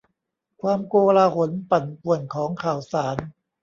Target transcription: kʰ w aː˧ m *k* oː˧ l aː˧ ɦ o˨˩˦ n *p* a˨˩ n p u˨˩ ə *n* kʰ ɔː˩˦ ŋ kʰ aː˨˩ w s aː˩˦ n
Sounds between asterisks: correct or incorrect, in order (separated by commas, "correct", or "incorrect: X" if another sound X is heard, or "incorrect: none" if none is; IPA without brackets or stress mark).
correct, correct, correct